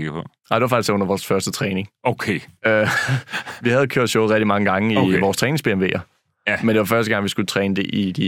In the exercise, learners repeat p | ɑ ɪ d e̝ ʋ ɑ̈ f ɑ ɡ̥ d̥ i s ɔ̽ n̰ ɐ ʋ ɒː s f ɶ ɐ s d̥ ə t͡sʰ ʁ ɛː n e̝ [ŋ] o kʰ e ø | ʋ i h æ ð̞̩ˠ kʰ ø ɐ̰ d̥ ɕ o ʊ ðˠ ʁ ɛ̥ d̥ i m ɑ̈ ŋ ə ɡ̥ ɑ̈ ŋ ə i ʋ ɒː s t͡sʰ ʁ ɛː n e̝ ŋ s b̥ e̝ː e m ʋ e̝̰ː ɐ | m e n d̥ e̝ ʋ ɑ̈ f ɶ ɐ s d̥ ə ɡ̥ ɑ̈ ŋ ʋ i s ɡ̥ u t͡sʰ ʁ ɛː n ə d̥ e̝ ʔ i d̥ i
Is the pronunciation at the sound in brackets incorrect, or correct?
correct